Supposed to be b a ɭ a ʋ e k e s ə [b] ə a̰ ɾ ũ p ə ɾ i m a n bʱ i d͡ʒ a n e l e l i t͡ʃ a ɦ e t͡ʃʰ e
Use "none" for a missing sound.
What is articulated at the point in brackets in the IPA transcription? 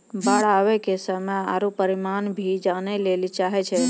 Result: m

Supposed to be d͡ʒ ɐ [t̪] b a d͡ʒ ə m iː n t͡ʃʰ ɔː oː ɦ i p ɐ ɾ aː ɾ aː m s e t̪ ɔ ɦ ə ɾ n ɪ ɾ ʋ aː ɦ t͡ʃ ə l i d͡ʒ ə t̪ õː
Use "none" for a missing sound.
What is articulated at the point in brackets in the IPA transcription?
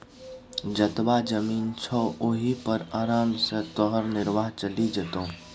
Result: t̪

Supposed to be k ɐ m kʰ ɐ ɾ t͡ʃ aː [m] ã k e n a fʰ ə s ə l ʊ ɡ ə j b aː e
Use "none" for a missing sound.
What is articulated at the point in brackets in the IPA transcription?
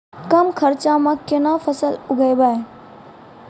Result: m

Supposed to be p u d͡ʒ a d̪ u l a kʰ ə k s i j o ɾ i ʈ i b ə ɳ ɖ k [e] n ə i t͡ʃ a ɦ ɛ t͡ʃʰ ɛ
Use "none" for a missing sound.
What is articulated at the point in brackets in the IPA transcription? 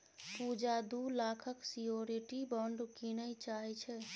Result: i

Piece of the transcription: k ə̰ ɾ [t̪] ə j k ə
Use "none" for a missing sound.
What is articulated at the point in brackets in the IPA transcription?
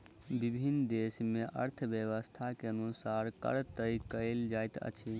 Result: t̪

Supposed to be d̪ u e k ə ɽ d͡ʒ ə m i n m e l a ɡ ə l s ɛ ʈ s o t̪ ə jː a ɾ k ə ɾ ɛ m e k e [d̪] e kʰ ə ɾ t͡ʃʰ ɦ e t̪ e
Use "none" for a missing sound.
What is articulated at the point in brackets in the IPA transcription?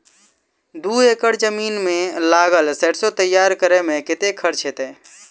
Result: t̪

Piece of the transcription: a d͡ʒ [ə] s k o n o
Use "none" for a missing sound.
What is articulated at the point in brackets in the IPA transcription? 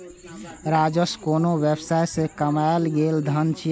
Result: ə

